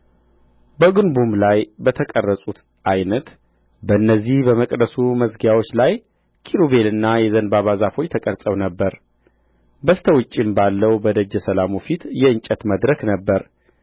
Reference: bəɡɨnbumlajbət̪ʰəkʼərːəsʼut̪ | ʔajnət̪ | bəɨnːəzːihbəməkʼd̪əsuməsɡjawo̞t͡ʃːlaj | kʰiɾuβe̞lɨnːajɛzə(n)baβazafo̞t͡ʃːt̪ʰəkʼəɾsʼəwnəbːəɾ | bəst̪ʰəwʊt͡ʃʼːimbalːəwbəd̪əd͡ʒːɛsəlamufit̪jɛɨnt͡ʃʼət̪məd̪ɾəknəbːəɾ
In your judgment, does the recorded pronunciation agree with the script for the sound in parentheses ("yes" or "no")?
yes